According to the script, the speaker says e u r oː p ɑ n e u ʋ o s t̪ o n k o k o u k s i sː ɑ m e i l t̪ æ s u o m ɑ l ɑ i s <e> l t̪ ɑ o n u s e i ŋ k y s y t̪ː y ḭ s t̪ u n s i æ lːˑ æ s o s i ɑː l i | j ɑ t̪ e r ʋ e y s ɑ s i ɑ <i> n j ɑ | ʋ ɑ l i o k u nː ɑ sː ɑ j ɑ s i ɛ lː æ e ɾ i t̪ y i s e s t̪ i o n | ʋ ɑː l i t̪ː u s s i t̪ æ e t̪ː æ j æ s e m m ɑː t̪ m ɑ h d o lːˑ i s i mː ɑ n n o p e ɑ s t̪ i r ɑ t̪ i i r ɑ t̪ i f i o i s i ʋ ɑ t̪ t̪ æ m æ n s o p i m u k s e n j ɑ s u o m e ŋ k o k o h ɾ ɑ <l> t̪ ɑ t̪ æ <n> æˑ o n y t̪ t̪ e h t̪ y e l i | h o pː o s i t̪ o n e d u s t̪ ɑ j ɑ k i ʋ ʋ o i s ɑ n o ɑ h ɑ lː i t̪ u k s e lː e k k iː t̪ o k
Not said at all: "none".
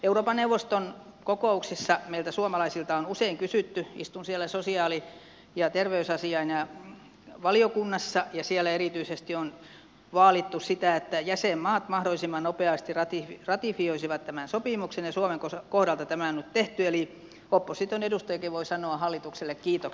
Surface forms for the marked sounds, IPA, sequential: i, i, l, m

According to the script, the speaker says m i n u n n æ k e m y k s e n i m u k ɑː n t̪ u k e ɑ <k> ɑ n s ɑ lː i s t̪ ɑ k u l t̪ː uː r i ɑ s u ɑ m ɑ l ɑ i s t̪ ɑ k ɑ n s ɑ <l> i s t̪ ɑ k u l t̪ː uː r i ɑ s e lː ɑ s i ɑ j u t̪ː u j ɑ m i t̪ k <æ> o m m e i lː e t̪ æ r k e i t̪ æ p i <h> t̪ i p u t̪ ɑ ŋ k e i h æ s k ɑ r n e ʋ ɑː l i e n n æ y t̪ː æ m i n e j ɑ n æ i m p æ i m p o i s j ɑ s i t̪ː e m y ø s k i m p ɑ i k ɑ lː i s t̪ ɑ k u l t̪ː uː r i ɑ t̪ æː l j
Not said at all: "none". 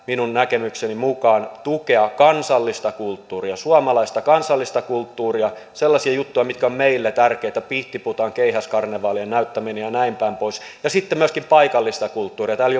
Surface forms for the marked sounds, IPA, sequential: k, lː, æ, h

